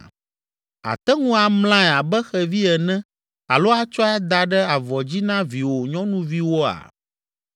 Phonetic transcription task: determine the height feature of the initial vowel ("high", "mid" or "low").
low